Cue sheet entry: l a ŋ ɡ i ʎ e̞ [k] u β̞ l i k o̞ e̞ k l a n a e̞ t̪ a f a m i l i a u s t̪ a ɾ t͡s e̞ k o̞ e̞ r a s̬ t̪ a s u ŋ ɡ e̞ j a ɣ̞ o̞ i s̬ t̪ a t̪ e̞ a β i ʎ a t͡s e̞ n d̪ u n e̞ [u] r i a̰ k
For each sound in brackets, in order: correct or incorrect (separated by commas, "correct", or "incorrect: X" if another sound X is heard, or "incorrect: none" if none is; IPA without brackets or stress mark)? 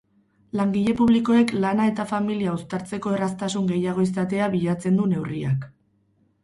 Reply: incorrect: p, incorrect: w